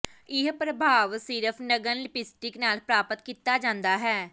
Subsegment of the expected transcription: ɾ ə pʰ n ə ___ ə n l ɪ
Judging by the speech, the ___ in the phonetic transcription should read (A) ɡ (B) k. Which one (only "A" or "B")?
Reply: A